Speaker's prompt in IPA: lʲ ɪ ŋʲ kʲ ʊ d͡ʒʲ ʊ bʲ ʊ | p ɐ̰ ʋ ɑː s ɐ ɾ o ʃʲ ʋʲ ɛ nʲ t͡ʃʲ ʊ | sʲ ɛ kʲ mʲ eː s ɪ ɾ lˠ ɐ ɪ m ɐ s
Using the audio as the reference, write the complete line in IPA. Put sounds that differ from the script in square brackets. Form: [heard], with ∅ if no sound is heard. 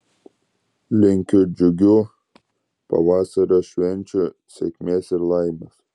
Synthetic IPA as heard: lʲ ɪ ŋʲ kʲ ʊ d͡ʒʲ ʊ [ɡʲ] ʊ | p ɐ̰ ʋ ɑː s ɐ ɾ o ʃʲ ʋʲ ɛ nʲ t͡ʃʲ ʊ | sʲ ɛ kʲ mʲ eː s ɪ ɾ lˠ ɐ ɪ m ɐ s